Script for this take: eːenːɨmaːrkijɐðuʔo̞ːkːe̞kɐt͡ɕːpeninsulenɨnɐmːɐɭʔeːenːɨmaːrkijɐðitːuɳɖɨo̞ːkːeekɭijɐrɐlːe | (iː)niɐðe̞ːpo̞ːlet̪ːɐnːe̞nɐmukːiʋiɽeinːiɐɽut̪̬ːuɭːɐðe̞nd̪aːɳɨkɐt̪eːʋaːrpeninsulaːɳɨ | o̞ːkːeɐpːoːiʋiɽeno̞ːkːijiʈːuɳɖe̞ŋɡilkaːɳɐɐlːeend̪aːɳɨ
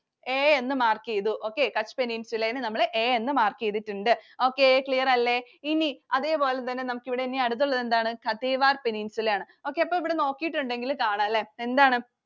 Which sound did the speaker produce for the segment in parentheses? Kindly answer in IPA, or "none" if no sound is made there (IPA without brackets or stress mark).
i